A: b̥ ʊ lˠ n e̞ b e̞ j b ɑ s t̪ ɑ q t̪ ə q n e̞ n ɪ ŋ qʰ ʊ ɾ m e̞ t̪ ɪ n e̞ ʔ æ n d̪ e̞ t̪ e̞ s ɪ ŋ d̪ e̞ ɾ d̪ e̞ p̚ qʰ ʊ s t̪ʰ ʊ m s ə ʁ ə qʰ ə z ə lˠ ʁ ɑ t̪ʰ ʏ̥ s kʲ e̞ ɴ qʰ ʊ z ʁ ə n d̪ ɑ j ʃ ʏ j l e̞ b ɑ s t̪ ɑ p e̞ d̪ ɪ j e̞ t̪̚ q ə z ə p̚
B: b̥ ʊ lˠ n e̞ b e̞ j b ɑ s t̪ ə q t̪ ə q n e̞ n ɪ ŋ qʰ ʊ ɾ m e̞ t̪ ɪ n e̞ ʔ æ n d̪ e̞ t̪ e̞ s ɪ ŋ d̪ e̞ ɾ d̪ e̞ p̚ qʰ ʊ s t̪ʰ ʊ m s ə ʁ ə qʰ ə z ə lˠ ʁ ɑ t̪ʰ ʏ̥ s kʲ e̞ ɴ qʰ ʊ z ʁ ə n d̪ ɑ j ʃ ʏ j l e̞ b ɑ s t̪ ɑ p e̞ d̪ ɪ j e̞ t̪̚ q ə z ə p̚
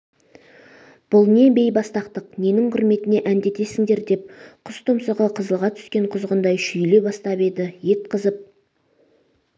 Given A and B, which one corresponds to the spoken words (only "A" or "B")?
A